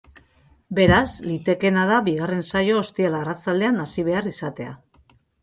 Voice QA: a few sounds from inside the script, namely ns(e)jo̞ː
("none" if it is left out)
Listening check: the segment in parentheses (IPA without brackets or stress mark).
a